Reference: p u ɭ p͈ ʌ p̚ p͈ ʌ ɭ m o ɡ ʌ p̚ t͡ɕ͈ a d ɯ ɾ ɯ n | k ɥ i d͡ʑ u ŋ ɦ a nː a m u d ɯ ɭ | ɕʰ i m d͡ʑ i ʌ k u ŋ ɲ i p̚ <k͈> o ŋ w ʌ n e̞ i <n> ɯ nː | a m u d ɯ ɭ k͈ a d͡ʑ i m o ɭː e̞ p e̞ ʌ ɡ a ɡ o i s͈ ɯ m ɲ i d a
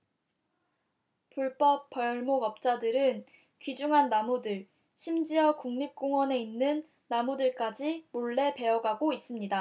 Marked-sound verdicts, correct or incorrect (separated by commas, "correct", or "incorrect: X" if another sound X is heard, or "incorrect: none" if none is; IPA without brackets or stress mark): correct, incorrect: nː